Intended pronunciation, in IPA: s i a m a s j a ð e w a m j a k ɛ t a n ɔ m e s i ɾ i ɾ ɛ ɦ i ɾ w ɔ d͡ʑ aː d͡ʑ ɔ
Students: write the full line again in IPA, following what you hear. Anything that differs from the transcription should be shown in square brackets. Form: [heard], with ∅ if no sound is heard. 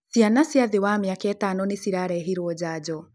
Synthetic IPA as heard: s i a [n] a s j a ð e w a m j a k ɛ t a n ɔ [n] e s i ɾ [a] ɾ ɛ ɦ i ɾ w ɔ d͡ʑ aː d͡ʑ ɔ